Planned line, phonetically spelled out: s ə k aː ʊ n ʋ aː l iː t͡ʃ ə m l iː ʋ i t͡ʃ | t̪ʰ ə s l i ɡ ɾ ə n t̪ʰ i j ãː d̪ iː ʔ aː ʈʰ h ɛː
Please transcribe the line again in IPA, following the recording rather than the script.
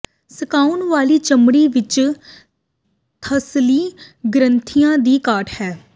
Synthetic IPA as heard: s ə k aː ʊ n ʋ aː l iː t͡ʃ ə m ɽ iː ʋ ɪ t͡ʃ | t̪ʰ ə s l iː ɡ ɾ ə n t̪ʰ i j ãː d̪ iː k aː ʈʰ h ɛː